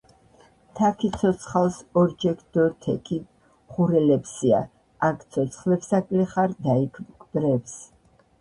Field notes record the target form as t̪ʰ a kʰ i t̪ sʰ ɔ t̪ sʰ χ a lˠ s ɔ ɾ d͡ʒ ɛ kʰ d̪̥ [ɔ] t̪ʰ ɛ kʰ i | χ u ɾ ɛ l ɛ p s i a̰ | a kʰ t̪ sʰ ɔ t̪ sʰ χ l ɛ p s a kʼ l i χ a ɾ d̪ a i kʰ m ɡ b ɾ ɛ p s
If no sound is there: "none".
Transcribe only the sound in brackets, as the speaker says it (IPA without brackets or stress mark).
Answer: ɔ